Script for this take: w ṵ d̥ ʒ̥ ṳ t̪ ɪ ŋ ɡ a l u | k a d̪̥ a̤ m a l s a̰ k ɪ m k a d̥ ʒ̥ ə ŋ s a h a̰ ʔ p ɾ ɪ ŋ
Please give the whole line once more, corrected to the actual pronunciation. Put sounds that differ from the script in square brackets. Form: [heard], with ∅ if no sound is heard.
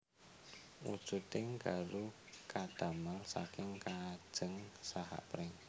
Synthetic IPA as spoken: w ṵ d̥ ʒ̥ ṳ t̪ ɪ ŋ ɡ a l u | k a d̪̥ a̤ m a l s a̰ k ɪ [ŋ] k a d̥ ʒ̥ ə ŋ s a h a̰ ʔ p ɾ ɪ ŋ